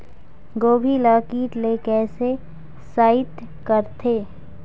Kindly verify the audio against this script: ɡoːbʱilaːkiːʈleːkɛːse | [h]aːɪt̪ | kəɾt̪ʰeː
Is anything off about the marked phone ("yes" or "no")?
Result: yes